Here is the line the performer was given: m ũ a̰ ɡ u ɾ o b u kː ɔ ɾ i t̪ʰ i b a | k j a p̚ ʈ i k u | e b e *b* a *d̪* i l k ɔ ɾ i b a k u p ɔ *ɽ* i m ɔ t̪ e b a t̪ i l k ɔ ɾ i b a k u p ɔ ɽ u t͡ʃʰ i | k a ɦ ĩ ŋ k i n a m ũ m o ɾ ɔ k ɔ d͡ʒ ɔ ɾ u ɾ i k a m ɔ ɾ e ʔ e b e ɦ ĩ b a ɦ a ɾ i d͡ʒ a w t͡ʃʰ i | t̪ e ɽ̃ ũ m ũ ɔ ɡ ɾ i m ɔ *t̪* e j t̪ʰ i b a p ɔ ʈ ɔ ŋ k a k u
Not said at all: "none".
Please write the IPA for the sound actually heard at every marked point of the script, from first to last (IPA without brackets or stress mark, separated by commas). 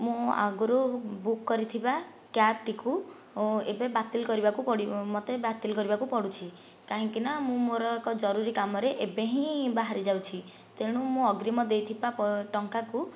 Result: b, t̪, ɽ, d̪